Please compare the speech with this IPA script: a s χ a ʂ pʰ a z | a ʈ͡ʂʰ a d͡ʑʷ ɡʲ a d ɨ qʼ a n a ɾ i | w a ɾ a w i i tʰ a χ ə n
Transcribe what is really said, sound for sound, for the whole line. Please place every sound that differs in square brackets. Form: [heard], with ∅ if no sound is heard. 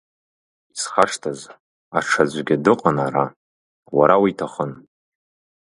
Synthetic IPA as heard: [i] s χ a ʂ [tʰ] a z | a ʈ͡ʂʰ a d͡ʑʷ ɡʲ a d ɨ qʼ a n a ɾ [a] | w a ɾ a w i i tʰ a χ ə n